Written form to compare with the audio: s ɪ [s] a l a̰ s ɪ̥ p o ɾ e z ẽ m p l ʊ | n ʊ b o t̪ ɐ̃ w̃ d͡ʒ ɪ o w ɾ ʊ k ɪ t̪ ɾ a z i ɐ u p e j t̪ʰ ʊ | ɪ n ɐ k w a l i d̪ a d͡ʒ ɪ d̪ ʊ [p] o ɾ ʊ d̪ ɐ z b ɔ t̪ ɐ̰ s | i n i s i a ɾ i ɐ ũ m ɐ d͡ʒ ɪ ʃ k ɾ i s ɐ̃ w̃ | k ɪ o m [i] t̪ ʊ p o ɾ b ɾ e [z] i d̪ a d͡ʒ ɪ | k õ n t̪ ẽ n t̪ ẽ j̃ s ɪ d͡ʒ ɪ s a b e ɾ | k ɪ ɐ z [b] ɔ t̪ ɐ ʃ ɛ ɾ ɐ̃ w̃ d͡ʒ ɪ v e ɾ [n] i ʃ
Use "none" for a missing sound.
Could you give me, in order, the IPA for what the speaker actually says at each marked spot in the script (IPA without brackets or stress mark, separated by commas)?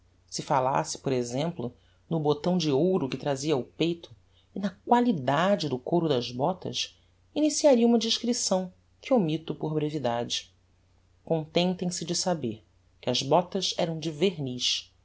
f, k, i, v, b, n